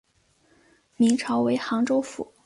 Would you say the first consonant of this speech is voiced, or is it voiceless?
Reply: voiced